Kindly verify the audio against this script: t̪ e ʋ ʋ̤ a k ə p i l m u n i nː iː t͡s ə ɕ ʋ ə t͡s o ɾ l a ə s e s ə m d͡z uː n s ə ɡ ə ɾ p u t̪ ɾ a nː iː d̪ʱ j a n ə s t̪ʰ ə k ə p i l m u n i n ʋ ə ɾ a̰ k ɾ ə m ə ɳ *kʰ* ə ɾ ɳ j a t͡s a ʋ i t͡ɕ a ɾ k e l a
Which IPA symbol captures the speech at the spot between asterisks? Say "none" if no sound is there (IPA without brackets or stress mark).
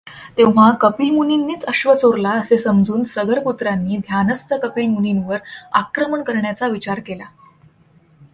k